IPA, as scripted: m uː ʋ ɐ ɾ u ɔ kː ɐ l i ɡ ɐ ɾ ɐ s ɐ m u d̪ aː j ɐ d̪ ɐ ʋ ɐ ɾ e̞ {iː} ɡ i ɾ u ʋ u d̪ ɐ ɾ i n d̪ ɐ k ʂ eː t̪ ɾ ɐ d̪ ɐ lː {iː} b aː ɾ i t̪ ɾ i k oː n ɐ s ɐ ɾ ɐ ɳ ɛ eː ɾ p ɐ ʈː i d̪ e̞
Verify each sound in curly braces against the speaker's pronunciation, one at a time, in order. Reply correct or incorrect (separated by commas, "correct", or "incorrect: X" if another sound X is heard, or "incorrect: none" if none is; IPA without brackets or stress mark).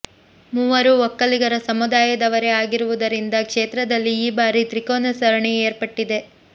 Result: incorrect: aː, correct